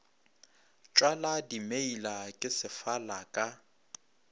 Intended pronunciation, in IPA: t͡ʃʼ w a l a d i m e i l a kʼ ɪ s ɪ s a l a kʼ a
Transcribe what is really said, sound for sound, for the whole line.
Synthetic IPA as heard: t͡ʃʼ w a l a d i m e i l a kʼ ɪ s ɪ f a l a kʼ a